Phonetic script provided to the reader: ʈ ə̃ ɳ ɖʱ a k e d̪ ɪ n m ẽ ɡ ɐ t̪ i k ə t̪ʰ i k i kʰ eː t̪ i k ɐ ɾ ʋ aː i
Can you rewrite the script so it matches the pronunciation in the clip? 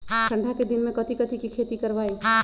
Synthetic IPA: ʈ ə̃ ɳ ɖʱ a k e d̪ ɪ n m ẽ k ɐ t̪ i k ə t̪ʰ i k i kʰ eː t̪ i k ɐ ɾ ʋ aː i